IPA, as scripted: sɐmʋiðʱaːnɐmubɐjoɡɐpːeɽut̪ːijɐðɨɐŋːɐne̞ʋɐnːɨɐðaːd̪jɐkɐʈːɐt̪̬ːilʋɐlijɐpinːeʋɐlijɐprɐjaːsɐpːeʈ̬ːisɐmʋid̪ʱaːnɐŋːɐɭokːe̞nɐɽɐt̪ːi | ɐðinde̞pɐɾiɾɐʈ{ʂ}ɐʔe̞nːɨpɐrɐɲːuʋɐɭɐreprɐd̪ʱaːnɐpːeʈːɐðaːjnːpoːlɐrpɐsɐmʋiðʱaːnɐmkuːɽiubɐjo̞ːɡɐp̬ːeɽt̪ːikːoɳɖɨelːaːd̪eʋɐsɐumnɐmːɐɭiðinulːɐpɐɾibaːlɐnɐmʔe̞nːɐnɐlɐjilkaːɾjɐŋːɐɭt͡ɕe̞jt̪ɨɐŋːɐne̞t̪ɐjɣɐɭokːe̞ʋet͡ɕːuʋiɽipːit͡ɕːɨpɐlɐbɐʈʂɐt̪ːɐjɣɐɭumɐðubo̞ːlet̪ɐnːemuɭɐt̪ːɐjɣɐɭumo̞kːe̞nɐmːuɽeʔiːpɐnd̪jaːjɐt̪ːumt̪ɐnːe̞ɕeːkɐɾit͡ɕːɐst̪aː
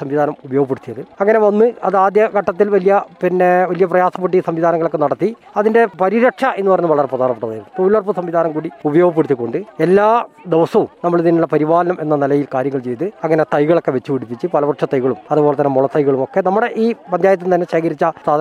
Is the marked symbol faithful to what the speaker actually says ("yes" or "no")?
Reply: yes